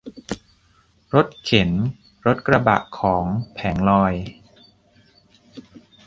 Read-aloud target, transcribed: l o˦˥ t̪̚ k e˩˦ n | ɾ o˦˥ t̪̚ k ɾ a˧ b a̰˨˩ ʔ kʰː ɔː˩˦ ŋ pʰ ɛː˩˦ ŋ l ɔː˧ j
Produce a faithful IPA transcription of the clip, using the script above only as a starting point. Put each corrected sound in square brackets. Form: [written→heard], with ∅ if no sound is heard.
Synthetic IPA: [l→ɾ] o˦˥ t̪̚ [k→kʰ] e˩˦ n | ɾ o˦˥ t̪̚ k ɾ a˧ b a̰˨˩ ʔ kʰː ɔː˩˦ ŋ pʰ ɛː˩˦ ŋ l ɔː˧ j

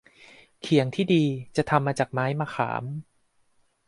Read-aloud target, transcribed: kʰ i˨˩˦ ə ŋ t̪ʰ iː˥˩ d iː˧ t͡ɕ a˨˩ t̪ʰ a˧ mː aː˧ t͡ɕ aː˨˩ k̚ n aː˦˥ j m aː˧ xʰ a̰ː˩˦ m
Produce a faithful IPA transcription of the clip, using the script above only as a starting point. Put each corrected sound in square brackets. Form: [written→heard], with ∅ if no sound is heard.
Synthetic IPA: kʰ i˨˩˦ ə ŋ t̪ʰ iː˥˩ d iː˧ t͡ɕ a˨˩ t̪ʰ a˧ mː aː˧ t͡ɕ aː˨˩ k̚ [n→m] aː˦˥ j m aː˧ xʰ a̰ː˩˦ m

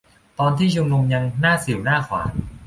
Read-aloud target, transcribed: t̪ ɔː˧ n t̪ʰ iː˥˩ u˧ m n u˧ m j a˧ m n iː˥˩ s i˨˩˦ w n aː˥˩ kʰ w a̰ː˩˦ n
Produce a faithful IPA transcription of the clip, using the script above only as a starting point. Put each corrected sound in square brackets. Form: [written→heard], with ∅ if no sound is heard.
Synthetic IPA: t̪ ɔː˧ n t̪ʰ iː˥˩ u˧ m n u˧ m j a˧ [m→ŋ] n [iː˥˩→aː˥˩] s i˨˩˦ w n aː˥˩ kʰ w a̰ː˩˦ n

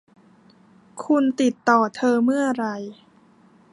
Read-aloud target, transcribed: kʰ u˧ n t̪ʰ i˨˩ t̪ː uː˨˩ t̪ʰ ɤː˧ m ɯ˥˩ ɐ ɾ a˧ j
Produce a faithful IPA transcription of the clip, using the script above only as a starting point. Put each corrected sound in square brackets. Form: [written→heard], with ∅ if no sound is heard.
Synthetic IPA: kʰ u˧ n [t̪ʰ→t̪] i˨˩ t̪ː [uː˨˩→ɔː˨˩] t̪ʰ ɤː˧ m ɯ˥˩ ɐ ɾ a˧ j

